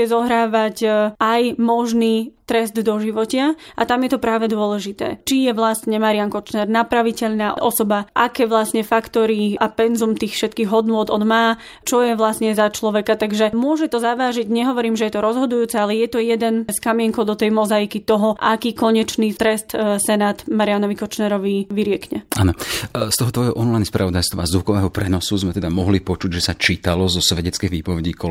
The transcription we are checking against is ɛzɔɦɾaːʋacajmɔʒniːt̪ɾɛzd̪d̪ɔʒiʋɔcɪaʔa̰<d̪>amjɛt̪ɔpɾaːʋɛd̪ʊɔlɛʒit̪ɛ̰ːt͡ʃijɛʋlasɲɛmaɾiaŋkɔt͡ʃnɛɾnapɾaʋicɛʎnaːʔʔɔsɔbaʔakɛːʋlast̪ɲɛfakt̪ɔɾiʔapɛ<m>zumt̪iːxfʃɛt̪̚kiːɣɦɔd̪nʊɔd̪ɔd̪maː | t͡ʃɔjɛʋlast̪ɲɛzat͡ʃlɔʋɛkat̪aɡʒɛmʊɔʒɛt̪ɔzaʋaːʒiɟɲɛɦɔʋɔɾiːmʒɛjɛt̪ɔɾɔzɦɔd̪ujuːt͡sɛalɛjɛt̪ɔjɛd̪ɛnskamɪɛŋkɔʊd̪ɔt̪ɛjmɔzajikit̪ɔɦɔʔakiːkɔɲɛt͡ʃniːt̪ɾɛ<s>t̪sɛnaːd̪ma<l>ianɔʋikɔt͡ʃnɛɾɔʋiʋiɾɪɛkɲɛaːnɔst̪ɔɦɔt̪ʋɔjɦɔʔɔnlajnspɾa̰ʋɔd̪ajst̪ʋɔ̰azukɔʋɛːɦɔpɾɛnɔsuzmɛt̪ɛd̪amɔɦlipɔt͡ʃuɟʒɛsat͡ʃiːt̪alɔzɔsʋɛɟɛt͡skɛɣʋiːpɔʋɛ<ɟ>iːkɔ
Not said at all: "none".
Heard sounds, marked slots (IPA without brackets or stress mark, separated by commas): t̪, n, s, ɾ, ɟ